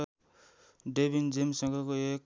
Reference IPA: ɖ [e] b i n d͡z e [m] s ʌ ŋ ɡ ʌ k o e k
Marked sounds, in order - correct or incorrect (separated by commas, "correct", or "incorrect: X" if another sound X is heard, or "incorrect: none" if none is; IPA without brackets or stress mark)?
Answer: correct, correct